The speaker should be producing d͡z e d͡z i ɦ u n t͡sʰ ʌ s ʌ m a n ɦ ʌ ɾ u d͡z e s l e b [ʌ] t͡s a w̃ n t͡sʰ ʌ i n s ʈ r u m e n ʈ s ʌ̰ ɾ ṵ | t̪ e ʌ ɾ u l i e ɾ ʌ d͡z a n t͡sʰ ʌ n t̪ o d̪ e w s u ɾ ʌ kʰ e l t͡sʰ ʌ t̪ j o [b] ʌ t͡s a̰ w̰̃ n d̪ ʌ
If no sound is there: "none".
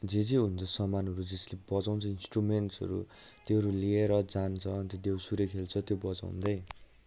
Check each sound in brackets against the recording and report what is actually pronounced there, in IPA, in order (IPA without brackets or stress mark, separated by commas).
ʌ, b